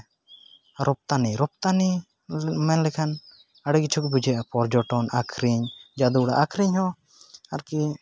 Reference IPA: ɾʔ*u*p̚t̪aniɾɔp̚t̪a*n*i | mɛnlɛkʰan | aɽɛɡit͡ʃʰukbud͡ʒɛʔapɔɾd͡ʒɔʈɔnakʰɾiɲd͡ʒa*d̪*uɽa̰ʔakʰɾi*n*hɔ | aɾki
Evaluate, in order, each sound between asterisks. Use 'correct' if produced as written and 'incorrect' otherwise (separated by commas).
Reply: incorrect, correct, correct, incorrect